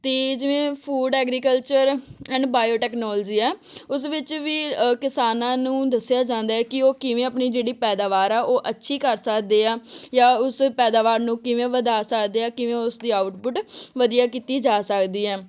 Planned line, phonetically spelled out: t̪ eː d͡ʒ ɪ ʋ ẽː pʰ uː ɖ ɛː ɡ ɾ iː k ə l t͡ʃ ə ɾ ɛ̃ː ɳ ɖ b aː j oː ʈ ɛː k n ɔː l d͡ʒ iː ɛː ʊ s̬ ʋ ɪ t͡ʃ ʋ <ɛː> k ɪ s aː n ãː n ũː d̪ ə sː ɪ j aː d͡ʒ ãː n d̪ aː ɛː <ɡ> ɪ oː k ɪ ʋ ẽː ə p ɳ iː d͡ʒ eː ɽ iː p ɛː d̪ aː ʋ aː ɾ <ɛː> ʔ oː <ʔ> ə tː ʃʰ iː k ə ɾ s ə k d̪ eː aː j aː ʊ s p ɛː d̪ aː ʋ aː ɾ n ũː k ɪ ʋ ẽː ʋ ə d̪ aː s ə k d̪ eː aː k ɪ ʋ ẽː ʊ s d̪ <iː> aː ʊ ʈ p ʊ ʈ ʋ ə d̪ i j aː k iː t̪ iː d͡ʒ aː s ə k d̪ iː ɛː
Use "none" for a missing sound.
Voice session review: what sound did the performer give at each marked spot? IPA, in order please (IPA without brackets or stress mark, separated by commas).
iː, k, ɛː, ʔ, iː